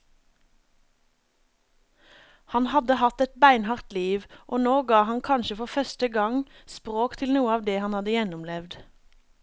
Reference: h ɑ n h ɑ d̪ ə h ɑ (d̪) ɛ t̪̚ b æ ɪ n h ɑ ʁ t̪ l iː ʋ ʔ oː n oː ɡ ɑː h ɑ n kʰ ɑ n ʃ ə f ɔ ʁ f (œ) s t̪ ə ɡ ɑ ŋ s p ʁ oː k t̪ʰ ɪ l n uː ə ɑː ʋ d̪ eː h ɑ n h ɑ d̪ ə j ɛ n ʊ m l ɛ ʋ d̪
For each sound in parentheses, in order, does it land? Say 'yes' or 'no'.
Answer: no, yes

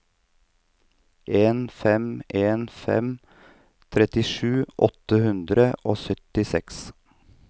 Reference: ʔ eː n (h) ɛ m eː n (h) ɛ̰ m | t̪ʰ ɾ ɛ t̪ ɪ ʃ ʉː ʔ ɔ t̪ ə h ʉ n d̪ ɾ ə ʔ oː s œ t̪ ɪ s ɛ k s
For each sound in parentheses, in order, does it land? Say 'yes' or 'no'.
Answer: no, no

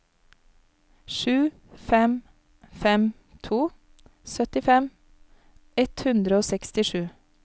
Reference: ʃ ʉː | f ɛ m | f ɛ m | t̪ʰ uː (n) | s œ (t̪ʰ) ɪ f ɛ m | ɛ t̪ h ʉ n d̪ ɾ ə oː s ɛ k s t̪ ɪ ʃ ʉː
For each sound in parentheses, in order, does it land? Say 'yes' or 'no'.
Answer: no, no

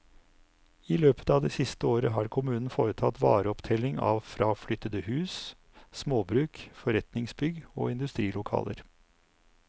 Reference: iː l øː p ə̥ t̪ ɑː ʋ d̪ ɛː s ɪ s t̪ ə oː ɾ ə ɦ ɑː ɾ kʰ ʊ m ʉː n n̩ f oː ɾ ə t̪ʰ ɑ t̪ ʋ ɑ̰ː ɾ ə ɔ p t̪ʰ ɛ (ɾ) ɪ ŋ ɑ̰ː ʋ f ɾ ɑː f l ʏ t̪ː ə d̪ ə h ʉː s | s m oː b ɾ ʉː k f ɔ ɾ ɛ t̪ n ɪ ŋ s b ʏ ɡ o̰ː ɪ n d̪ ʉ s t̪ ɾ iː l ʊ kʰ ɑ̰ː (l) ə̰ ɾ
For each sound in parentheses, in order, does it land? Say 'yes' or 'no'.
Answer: no, yes

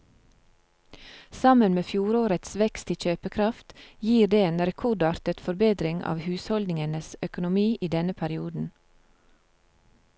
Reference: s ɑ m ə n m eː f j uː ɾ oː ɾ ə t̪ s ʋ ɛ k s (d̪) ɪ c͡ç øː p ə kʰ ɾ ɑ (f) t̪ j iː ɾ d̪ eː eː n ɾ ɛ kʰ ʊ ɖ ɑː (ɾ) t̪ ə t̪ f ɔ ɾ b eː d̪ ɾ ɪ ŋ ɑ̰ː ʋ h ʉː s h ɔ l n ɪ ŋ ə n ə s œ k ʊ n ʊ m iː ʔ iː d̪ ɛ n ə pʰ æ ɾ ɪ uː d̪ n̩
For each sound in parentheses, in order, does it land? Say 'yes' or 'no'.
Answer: no, yes, yes

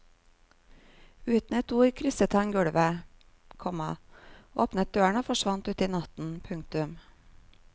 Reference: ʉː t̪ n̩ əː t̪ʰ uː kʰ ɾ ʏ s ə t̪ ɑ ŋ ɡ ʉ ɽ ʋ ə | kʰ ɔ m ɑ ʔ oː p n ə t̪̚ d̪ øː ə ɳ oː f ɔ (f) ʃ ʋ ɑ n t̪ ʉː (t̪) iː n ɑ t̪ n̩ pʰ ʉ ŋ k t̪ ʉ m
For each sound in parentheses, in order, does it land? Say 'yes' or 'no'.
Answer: no, yes

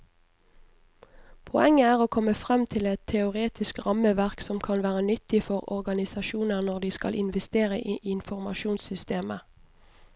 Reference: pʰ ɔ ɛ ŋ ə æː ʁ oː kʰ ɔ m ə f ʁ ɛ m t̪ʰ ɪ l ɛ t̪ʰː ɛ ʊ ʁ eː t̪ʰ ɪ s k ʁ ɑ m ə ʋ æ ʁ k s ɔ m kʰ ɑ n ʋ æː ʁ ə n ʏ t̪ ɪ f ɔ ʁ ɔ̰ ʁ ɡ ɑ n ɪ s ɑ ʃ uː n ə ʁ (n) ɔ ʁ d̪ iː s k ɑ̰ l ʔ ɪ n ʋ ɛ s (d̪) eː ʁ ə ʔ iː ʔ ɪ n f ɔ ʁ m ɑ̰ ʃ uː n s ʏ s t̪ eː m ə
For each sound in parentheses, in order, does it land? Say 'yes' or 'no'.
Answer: yes, no

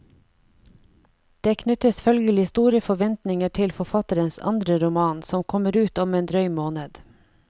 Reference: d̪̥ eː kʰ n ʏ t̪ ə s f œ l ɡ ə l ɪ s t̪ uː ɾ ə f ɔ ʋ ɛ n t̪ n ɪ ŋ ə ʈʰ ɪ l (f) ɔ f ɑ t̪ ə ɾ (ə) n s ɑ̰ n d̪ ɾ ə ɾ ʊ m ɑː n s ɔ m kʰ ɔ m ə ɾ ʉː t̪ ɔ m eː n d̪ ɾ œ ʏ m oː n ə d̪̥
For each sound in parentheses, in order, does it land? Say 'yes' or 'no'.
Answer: yes, yes

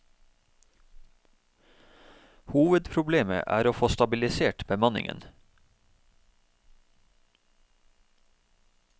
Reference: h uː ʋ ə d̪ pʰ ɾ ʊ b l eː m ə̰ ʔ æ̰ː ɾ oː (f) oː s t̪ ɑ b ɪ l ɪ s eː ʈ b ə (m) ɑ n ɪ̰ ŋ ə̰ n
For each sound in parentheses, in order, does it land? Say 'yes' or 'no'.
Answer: yes, yes

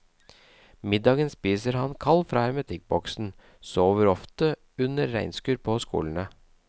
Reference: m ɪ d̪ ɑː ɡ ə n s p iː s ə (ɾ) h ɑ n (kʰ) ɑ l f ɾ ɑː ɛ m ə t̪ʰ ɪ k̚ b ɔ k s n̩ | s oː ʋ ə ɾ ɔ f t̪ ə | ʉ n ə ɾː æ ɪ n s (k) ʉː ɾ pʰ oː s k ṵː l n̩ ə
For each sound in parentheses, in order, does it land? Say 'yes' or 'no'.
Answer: yes, yes, yes

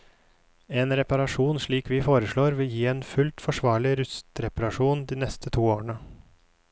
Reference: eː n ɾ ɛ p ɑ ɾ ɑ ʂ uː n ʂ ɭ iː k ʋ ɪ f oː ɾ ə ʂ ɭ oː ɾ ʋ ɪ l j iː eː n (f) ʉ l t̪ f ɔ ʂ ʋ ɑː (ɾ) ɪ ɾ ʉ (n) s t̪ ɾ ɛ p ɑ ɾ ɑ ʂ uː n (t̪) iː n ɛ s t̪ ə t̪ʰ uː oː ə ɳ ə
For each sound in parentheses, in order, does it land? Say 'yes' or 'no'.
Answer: yes, no, no, no

